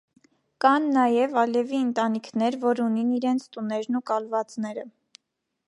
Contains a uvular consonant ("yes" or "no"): no